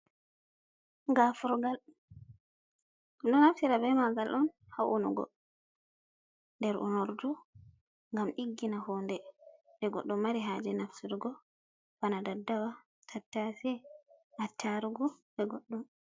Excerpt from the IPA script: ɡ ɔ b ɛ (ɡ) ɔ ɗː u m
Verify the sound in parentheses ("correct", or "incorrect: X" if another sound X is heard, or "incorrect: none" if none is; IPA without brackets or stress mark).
correct